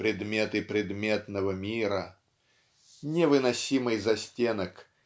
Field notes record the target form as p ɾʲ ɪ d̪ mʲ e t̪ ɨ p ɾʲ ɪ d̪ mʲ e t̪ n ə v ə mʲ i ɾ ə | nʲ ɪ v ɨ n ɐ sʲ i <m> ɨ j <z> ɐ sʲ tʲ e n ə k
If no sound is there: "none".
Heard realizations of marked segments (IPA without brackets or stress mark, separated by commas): m, z